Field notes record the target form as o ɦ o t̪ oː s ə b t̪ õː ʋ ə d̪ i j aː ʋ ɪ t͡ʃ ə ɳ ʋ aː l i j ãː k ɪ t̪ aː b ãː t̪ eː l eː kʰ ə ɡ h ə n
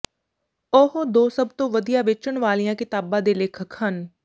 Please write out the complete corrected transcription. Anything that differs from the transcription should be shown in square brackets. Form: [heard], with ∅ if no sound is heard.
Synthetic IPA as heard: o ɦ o [d̪] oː s ə b t̪ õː ʋ ə d̪ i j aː ʋ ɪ t͡ʃ ə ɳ ʋ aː l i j ãː k ɪ t̪ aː b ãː [d̪] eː l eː kʰ ə [k] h ə n